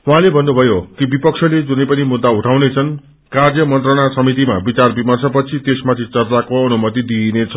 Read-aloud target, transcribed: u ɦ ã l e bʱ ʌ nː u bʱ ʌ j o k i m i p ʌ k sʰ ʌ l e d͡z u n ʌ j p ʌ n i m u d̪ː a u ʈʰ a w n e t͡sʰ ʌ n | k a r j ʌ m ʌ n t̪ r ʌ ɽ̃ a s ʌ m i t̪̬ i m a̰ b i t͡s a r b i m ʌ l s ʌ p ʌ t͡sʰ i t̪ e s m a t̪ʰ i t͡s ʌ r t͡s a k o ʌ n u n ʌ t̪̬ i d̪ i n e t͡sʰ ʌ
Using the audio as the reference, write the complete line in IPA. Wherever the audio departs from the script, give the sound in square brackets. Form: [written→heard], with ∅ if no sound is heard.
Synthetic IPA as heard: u ɦ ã l e bʱ ʌ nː u bʱ ʌ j o k i [m→b] i p ʌ k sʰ ʌ l e d͡z u n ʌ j p ʌ n i m u d̪ː a u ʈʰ a w n e t͡sʰ ʌ n | k a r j ʌ m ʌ n t̪ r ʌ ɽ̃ a s ʌ m i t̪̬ i m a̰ b i t͡s a r b i m ʌ [l→r] s ʌ p ʌ t͡sʰ i t̪ e s m a t̪ʰ i t͡s ʌ r t͡s a k o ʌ n u [n→m] ʌ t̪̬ i d̪ i n e t͡sʰ ʌ